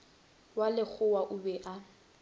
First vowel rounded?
no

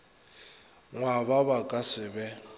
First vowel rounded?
no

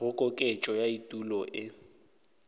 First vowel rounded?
yes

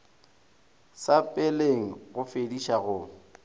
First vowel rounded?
no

